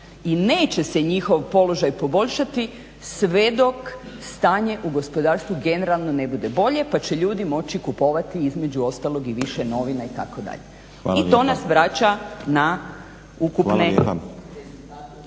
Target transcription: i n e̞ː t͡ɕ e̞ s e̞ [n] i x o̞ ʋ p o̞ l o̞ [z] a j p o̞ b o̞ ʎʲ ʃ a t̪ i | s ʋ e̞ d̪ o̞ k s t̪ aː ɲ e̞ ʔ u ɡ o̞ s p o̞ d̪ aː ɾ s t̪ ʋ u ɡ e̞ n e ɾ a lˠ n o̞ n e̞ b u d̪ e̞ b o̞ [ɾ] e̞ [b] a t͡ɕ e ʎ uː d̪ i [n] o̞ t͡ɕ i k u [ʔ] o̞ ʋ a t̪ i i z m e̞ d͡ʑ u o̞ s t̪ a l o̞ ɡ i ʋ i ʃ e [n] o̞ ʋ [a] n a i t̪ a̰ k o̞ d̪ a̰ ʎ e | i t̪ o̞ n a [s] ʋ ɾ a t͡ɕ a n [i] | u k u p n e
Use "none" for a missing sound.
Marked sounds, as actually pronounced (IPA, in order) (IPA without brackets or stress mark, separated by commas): ɲ, ʒ, ʎ, p, m, p, n, i, s, a